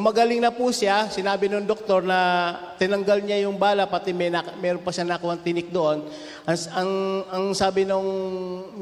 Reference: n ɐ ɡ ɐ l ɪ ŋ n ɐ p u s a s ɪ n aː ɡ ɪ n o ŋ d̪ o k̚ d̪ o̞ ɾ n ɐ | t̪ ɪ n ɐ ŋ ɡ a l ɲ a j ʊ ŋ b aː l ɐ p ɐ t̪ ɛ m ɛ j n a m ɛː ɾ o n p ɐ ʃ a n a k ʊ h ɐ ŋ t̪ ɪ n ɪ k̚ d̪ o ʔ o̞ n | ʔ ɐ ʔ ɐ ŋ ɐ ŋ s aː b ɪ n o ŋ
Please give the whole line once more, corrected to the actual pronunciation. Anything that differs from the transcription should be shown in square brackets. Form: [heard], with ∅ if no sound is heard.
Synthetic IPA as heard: [m] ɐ ɡ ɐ l ɪ ŋ n ɐ p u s a s ɪ n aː [b] ɪ n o ŋ d̪ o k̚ [t̪] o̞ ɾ n ɐ | t̪ ɪ n ɐ ŋ ɡ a l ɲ a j ʊ ŋ b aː l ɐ p ɐ t̪ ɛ m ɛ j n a m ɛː ɾ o n p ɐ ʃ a n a k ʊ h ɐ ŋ t̪ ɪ n ɪ k̚ d̪ o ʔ o̞ n | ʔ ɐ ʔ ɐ ŋ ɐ ŋ s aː b ɪ n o ŋ